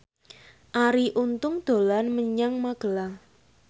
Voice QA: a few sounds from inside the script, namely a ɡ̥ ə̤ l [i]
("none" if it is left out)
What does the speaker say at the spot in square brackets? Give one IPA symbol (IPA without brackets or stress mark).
a